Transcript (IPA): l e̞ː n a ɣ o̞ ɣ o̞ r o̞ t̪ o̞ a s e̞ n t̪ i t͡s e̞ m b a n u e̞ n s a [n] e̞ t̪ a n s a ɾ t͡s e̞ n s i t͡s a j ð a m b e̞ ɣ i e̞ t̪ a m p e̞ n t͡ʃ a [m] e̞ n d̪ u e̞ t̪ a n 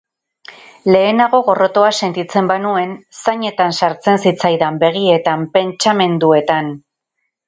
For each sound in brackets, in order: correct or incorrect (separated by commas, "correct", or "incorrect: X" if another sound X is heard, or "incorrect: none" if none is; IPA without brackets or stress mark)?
incorrect: ɲ, correct